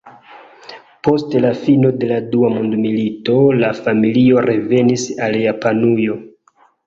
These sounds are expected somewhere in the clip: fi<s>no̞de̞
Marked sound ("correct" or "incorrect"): incorrect